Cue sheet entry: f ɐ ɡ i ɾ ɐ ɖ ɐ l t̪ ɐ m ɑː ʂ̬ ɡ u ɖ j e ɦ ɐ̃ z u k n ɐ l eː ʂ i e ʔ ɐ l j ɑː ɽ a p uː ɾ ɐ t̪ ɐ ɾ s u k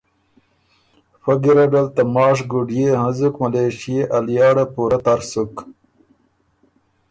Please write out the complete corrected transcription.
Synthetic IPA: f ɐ ɡ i ɾ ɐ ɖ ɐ l t̪ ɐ m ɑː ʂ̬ ɡ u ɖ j e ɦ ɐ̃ z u k m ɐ l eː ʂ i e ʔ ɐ l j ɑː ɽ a p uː ɾ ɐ t̪ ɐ ɾ s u k